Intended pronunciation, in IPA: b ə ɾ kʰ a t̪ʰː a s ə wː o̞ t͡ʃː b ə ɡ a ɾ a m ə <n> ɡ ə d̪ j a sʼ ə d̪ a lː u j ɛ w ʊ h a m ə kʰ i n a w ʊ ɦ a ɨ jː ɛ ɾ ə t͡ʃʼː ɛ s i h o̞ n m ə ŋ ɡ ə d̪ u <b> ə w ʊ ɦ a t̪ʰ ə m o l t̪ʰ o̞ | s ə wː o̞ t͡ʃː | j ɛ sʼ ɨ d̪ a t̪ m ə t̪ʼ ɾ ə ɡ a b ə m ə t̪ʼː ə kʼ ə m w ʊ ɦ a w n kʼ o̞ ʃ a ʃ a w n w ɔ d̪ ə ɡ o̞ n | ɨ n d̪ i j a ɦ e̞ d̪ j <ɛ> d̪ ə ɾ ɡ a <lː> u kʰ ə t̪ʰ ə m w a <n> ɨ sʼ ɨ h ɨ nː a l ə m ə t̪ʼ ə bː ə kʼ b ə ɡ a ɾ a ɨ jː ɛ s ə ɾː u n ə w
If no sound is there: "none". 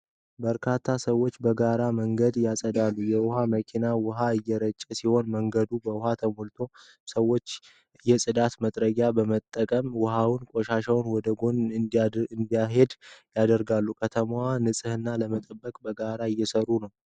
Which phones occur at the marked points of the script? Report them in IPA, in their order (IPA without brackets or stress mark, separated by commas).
ŋ, b, a, lː, n